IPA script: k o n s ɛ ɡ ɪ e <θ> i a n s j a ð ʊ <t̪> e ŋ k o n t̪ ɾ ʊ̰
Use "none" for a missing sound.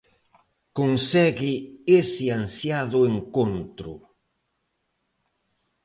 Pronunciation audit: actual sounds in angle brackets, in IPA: s, none

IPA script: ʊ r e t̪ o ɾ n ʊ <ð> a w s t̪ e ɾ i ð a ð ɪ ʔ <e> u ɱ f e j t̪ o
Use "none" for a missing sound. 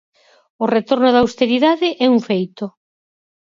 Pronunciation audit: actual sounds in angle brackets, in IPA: ð, ɛ

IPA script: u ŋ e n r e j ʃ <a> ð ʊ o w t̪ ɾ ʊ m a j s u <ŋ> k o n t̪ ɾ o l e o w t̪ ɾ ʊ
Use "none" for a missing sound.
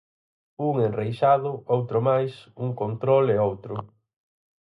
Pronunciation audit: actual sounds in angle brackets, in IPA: a, ŋ

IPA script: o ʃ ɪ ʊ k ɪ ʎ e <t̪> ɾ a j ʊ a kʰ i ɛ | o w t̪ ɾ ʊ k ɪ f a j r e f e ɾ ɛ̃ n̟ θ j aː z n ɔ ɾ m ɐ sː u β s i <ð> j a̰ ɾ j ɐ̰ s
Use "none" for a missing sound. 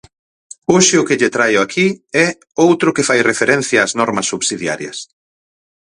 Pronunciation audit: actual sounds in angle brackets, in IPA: t̪, ð

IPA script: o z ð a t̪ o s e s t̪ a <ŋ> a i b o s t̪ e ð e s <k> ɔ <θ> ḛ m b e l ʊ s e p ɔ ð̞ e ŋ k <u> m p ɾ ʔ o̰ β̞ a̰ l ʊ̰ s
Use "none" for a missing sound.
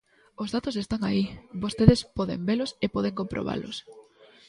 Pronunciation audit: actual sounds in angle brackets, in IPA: ŋ, p, ð, o

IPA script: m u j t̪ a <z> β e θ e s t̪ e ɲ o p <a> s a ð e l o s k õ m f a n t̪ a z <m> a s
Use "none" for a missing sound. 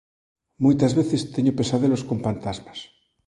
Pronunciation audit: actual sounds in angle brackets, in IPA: z, e, m

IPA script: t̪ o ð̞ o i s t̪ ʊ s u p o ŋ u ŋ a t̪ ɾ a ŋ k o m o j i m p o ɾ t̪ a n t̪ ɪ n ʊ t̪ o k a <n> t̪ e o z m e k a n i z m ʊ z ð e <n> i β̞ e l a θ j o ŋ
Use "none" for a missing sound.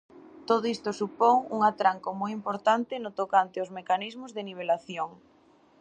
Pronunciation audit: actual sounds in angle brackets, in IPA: n, n

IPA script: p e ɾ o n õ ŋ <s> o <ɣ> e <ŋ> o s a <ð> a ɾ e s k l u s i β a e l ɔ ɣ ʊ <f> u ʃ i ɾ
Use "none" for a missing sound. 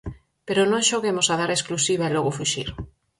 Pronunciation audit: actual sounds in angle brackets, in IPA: ʃ, ɣ, m, ð, f

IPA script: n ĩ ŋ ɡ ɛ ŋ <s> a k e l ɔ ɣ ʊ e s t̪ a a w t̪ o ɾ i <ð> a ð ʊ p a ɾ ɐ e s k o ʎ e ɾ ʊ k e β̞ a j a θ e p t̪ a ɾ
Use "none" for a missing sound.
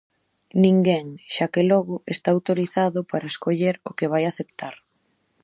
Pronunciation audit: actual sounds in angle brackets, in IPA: ʃ, θ

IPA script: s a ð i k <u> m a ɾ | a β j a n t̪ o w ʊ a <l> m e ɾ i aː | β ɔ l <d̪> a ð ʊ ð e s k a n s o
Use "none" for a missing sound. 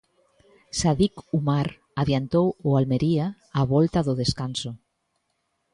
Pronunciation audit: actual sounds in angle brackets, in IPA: u, l, t̪

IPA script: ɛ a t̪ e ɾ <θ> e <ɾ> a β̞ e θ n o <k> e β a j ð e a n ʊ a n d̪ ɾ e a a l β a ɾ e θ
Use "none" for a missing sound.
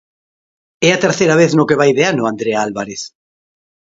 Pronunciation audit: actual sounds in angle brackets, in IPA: θ, ɾ, k

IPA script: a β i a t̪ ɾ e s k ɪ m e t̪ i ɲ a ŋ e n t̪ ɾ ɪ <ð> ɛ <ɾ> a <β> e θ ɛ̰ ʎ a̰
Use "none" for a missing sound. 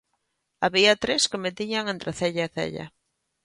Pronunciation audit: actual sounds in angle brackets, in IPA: θ, ʎ, none

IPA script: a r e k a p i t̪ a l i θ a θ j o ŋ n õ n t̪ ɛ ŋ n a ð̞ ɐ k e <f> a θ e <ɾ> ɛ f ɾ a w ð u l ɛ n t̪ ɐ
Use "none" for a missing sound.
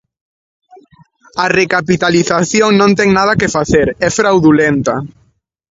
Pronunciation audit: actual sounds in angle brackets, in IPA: f, ɾ

